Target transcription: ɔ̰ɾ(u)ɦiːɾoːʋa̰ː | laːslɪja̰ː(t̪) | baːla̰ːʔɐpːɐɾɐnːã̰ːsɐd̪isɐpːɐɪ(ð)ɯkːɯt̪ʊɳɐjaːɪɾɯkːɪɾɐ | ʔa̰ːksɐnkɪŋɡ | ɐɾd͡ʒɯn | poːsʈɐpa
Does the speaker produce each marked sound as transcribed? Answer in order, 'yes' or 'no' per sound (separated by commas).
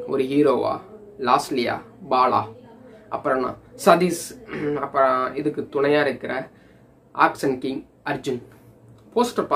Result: no, no, yes